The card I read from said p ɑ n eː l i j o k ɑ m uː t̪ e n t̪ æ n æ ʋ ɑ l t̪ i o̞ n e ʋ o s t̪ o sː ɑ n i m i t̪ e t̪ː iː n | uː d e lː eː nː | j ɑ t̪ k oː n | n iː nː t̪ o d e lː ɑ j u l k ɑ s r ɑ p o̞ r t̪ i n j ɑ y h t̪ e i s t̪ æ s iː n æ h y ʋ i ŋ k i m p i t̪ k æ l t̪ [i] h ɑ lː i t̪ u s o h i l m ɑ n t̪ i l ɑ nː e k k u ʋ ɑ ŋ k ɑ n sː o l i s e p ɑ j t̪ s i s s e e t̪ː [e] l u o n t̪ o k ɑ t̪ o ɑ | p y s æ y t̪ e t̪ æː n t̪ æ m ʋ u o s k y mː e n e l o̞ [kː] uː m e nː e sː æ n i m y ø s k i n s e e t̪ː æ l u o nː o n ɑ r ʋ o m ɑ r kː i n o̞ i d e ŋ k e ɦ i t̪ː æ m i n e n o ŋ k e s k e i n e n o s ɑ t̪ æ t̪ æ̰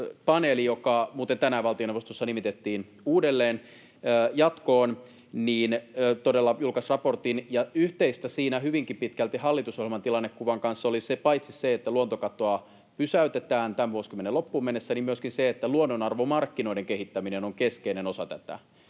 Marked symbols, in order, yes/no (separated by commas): yes, no, no